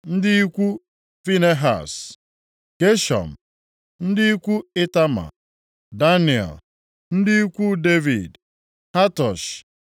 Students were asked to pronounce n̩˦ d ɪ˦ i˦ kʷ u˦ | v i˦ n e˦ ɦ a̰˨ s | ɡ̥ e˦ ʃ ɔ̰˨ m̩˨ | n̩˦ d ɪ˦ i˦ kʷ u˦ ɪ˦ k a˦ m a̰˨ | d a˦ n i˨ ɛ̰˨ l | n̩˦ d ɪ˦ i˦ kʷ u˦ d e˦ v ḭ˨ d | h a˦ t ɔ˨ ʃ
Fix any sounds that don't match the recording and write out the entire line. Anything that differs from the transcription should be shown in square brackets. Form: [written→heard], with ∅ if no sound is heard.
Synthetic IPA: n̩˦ d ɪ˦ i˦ kʷ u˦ | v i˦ n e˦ ɦ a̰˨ s | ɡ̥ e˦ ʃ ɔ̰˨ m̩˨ | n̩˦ d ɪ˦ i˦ kʷ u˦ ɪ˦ [k→t] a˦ m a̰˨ | d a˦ n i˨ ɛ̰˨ l | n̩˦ d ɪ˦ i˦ kʷ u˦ d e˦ v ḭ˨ d | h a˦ t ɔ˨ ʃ